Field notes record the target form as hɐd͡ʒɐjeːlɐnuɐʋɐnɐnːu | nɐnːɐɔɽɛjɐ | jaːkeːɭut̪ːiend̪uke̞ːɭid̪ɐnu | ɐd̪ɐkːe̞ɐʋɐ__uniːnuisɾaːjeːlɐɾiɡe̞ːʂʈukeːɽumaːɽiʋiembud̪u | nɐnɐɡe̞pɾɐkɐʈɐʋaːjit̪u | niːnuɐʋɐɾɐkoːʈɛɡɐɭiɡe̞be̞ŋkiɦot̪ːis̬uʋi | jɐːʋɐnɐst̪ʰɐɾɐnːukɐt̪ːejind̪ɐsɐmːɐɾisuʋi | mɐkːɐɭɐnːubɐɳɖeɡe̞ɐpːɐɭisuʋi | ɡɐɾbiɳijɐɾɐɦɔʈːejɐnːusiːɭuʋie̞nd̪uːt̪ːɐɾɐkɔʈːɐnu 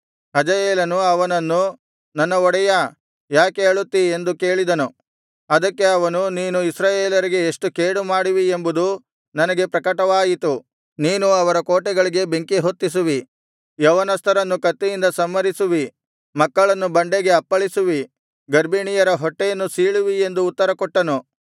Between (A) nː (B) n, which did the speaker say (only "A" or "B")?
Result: B